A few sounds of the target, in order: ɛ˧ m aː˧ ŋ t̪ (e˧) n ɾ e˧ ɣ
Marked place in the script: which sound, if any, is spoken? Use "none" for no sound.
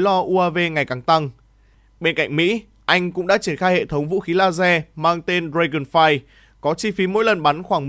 e˧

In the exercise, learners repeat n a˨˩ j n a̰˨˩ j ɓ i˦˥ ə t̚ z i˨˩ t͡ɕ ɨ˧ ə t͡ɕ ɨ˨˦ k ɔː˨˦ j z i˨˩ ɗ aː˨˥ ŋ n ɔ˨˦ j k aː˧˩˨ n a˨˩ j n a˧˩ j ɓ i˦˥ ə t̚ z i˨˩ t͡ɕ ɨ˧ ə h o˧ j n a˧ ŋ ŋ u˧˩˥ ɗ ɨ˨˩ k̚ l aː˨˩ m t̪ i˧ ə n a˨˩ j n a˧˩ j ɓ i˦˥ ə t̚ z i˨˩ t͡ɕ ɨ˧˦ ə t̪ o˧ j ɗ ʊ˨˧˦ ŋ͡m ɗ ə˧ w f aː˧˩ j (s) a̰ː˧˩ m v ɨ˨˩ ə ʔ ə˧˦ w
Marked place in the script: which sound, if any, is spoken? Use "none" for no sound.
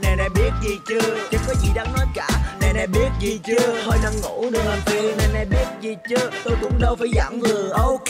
z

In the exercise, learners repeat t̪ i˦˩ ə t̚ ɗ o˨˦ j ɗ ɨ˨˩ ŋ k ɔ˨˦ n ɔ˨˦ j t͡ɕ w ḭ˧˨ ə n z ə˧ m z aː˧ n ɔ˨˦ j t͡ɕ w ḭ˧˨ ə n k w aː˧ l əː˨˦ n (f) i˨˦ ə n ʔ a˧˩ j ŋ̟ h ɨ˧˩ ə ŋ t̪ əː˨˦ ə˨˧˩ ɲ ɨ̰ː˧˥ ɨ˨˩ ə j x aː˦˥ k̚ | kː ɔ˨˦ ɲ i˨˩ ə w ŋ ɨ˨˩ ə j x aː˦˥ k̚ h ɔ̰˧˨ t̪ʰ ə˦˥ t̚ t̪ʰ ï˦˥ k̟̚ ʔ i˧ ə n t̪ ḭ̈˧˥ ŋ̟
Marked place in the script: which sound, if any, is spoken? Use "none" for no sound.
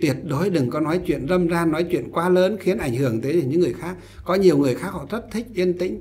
x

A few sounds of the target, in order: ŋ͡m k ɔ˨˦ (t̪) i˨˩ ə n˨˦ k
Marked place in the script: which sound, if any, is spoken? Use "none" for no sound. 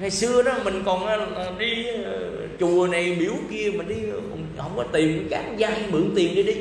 t̪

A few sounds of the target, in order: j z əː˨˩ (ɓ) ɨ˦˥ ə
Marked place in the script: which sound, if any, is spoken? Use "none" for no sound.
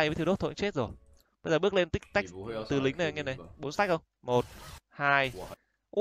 ɓ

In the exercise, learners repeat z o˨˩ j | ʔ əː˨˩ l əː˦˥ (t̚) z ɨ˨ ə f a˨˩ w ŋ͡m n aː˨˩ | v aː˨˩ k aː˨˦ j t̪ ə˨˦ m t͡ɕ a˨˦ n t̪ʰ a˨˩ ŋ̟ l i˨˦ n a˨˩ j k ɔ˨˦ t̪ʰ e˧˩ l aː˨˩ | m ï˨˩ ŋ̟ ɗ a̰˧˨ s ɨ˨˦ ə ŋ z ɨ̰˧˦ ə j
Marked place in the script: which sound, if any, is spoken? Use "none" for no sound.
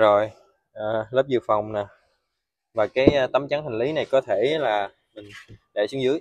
p̚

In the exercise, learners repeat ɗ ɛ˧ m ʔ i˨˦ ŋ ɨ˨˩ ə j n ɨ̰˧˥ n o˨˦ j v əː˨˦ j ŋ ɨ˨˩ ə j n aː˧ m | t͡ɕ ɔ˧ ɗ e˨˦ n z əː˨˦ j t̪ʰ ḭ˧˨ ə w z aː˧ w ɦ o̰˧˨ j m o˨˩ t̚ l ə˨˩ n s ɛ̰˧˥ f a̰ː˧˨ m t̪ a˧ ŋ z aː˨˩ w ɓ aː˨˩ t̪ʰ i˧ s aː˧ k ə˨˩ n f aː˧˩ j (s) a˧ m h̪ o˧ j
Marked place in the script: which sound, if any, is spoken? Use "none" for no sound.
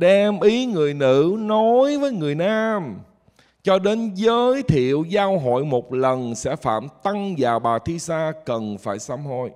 s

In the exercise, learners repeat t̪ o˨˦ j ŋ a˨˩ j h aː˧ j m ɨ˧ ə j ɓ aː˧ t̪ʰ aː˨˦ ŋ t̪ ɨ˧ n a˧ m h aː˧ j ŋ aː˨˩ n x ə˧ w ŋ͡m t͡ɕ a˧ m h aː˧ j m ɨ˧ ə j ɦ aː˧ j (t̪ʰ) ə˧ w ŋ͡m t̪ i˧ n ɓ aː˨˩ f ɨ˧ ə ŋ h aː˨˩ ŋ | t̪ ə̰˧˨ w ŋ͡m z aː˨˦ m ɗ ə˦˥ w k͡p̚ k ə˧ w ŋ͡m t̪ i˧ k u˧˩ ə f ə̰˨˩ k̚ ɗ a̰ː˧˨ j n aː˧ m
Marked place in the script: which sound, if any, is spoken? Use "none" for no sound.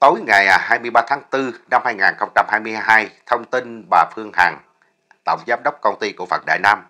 t̪ʰ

